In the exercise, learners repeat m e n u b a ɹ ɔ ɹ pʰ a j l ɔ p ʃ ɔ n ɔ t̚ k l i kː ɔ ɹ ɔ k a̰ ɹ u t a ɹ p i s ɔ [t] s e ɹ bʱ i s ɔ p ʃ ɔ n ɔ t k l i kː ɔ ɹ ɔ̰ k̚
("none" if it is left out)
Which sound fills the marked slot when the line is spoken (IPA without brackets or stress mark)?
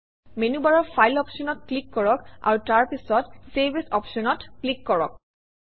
t